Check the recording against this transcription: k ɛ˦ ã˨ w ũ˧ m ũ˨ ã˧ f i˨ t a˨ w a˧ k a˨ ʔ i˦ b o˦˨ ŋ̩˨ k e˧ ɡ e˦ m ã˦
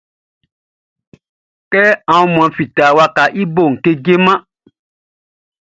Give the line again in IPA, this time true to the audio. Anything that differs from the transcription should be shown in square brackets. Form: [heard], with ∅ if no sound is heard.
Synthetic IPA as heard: k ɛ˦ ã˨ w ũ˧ m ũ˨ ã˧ f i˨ t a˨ w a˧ k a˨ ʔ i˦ b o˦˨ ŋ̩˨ k e˧ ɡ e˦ m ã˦